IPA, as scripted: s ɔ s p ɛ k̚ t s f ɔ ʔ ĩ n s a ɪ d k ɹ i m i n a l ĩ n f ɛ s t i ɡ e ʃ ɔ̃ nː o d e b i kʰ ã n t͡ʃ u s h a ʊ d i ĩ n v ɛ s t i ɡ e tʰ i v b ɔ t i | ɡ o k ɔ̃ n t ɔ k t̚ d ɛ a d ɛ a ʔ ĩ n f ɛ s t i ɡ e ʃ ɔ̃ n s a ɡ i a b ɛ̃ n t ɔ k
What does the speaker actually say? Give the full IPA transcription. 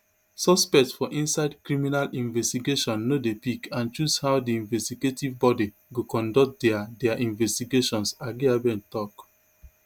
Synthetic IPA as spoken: s ɔ s p ɛ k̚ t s f ɔ ʔ ĩ n s a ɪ d k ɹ i m i n a l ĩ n v ɛ s t i ɡ e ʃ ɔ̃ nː o d e p i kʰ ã n t͡ʃ u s h a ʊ d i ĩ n v ɛ s t i ɡ e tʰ i v b ɔ d i | ɡ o k ɔ̃ n d ɔ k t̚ d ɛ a d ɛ a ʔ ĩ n v ɛ s t i ɡ e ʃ ɔ̃ n s a ɡ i a b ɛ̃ n t ɔ k